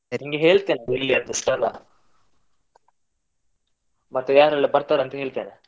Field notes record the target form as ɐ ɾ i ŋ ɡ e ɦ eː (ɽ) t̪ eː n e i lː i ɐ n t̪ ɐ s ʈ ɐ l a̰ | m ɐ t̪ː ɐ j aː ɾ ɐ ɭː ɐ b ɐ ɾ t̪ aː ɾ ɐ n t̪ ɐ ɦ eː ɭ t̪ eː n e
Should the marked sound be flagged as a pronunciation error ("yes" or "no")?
yes